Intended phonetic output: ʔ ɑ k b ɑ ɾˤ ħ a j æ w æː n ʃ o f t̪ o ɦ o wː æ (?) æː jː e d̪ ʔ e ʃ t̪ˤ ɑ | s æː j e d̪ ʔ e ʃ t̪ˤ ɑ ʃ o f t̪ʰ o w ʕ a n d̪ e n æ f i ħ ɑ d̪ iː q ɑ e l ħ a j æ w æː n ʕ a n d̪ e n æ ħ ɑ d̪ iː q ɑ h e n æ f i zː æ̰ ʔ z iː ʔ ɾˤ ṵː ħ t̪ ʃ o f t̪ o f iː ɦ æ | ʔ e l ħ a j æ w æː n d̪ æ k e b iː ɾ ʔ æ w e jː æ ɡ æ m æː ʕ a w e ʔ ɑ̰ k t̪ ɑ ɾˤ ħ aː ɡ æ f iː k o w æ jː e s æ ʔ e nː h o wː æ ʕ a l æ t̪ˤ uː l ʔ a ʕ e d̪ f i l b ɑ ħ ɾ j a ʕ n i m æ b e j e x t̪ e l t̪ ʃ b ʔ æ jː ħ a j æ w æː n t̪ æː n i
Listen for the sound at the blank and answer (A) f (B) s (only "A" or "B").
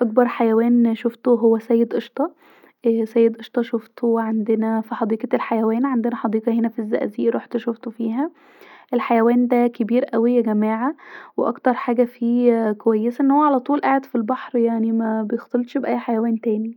B